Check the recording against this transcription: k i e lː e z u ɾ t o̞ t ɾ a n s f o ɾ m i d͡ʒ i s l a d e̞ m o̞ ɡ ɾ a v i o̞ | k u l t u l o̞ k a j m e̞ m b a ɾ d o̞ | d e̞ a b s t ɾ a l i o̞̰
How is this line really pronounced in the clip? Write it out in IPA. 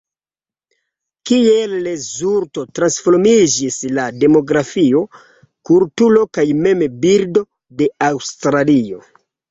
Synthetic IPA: k i e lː e z u ɾ t o̞ t ɾ a n s f o ɾ m i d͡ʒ i s l a d e̞ m o̞ ɡ ɾ a f i o̞ | k u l t u l o̞ k a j m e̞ m b i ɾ d o̞ | d e̞ a w s t ɾ a l i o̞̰